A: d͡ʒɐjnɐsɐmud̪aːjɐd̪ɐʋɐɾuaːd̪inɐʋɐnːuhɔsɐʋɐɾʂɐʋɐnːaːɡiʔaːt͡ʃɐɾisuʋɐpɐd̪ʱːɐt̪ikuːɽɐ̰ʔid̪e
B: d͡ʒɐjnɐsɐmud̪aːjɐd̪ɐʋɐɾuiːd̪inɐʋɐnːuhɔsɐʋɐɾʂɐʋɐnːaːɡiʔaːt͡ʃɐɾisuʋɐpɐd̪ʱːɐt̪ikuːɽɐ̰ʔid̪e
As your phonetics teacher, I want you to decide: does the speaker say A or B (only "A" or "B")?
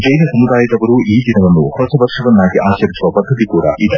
B